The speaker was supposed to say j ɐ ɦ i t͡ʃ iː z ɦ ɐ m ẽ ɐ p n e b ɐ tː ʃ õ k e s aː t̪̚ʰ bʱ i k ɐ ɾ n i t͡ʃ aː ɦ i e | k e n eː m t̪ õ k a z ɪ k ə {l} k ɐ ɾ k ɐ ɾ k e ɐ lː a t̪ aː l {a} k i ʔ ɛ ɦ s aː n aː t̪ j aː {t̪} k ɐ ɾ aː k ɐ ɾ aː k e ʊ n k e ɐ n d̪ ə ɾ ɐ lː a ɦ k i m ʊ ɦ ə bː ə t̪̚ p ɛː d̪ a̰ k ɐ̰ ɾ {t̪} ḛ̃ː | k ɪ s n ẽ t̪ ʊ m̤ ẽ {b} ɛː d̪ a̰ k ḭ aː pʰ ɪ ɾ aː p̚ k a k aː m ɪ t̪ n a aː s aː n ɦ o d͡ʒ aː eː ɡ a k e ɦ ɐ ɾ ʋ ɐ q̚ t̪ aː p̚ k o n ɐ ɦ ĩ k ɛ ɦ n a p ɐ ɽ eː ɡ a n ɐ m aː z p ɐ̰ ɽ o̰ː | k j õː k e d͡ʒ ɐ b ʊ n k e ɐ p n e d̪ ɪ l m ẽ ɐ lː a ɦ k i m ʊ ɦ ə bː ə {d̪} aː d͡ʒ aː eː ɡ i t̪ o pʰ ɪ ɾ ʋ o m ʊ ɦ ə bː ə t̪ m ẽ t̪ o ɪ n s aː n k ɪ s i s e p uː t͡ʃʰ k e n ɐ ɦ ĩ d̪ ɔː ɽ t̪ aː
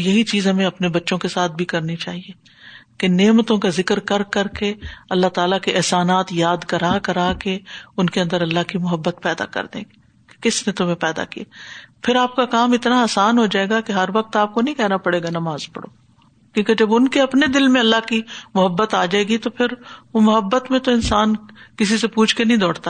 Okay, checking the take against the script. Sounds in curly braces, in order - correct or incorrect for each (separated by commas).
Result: incorrect, correct, incorrect, incorrect, incorrect, incorrect